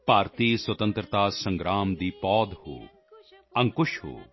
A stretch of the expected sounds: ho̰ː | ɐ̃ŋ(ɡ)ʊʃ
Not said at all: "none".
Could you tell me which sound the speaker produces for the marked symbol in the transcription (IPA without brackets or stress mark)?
k